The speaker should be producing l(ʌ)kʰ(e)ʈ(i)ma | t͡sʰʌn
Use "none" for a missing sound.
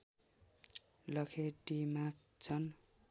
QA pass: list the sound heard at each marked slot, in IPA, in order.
ʌ, e, i

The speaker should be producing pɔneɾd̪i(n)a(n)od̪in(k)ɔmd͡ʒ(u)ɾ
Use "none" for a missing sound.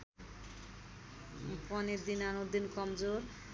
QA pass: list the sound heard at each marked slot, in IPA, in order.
n, n, k, o

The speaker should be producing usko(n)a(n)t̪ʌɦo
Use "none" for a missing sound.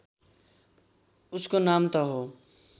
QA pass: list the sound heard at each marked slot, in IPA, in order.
n, m

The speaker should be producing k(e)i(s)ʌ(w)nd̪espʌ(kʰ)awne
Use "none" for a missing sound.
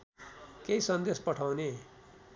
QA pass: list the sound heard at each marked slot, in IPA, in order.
e, s, none, ʈʰ

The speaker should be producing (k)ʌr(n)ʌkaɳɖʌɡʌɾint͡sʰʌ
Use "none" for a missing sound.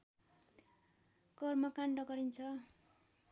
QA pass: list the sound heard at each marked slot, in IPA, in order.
k, m

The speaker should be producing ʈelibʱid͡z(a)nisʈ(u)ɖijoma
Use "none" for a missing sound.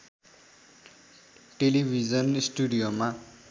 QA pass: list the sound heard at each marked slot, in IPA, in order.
ʌ, u

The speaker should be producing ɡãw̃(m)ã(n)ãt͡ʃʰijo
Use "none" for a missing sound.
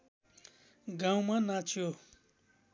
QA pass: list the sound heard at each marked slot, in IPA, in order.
m, n

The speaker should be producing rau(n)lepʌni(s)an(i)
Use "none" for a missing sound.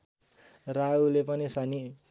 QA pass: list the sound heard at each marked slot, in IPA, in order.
none, s, i

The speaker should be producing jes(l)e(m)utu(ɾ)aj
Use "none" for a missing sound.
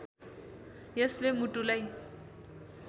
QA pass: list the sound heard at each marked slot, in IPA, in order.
l, m, l

